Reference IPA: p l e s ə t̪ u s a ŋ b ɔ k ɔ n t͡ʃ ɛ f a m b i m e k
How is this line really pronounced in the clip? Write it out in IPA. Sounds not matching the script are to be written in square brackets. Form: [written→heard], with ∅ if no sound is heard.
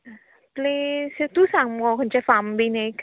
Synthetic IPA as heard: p l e s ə t̪ u s a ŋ [b→m] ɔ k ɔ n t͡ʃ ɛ f a m b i [m→n] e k

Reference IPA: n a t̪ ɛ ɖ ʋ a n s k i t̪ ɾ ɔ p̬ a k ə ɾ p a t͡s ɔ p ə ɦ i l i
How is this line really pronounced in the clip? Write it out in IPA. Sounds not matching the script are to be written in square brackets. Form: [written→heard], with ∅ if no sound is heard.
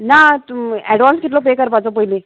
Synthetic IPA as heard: n a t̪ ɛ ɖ ʋ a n s k i t̪ [ɾ→l] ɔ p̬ [a→e] k ə ɾ p a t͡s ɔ p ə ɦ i l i

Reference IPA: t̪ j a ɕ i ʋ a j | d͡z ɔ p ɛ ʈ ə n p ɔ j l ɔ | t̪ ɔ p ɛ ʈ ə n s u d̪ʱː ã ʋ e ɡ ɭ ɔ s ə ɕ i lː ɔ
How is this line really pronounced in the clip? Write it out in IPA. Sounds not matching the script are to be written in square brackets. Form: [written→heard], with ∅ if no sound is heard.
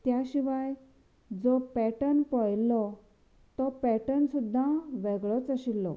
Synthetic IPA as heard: t̪ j a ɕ i ʋ a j | d͡z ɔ p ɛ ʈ ə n p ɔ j l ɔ | t̪ ɔ p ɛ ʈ ə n s u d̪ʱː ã ʋ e ɡ ɭ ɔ [s→t͡s] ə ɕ i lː ɔ

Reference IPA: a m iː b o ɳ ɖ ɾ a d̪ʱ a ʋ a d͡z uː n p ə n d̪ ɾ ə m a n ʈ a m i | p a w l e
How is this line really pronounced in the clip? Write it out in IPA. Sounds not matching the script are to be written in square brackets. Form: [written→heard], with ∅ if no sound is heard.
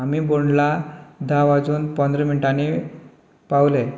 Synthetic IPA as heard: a m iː b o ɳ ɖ [ɾ→l] a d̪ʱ a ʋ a d͡z uː n p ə n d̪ ɾ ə m [a→i] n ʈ a [m→n] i | p a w l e

